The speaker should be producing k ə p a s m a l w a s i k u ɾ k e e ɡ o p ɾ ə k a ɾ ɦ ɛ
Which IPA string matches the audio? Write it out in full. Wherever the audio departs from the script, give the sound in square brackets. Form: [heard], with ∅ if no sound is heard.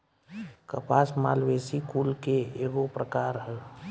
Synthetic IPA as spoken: k ə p a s m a l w [e] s i k u [l] k e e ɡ o p ɾ ə k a ɾ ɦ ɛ